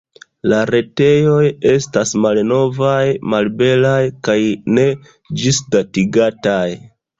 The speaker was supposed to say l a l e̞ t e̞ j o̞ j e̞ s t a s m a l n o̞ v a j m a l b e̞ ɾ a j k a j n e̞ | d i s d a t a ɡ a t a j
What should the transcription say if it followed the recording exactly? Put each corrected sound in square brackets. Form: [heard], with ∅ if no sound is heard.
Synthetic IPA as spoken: l a [ɾ] e̞ t e̞ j o̞ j e̞ s t a s m a l n o̞ v a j m a l b e̞ [l] a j k a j n e̞ | [d͡ʒ] i s d a t [i] ɡ a t a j